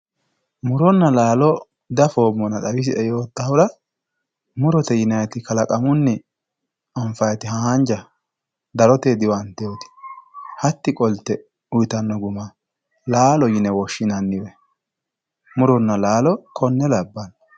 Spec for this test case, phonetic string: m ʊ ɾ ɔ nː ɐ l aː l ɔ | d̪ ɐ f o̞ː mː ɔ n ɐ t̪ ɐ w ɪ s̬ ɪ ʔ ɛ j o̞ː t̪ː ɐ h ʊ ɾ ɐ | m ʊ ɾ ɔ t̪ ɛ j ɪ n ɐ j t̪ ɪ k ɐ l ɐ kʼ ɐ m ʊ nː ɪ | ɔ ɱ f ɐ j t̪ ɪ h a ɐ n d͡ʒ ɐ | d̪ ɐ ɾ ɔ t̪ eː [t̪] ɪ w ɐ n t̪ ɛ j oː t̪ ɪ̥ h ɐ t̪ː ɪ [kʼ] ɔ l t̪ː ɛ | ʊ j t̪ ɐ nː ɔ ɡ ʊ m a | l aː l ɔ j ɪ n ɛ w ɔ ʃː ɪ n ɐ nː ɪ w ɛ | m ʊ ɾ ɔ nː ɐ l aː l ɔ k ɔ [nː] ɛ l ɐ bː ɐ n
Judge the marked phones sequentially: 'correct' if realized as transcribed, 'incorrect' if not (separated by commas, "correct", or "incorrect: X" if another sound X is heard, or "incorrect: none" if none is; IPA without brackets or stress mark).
incorrect: d̪, correct, correct